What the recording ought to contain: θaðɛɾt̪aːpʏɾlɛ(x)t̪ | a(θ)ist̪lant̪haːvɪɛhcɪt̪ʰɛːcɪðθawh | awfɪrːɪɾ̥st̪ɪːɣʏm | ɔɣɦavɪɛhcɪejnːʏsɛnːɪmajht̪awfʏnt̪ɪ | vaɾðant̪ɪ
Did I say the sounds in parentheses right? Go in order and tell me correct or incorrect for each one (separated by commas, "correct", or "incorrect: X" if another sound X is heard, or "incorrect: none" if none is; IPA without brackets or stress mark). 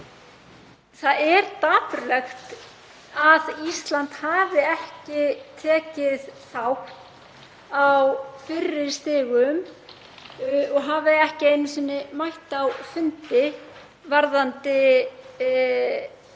correct, incorrect: ð